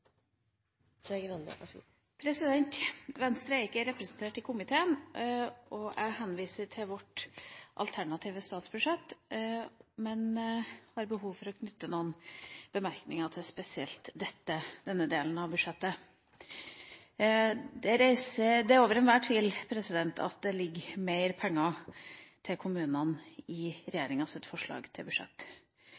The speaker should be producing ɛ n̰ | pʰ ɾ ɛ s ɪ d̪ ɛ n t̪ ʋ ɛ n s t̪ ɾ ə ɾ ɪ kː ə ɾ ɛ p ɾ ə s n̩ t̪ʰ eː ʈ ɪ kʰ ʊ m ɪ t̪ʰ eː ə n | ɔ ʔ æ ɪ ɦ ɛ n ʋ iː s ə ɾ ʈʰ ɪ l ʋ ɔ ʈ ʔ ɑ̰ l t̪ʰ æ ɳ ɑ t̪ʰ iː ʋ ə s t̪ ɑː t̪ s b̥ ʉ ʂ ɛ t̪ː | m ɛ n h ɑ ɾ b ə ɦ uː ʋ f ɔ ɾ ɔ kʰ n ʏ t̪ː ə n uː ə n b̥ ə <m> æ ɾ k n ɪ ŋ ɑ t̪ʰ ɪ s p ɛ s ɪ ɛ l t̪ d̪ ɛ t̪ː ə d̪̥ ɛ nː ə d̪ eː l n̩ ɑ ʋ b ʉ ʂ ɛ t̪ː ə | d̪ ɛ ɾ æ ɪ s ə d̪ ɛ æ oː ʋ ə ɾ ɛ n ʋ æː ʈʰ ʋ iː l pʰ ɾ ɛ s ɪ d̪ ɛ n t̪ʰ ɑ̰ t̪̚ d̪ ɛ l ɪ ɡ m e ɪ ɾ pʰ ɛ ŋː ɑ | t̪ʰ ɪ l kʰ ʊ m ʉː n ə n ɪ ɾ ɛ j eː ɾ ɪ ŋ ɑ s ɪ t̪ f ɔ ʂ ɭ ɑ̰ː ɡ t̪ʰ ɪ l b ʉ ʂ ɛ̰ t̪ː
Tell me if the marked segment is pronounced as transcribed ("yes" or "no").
yes